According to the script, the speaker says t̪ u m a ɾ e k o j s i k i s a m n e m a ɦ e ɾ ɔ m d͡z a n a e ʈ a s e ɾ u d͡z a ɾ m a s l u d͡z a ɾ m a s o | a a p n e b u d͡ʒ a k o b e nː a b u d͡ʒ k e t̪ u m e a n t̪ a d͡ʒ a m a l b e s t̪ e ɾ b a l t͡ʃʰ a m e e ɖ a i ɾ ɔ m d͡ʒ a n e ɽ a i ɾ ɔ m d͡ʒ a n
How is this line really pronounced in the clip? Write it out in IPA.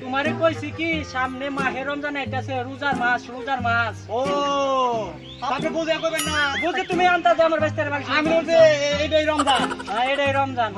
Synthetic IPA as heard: t̪ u m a ɾ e k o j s i k i s a m n e m a ɦ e ɾ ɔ m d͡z a n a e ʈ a s e ɾ u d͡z a ɾ m a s ɾ u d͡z a ɾ m a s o | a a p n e b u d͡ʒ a k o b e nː a b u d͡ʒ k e t̪ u m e a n t̪ a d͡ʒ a m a ɾ b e s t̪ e ɾ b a l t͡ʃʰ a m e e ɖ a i ɾ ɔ m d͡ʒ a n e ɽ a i ɾ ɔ m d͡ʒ a n